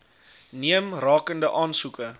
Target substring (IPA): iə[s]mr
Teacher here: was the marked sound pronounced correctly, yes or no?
no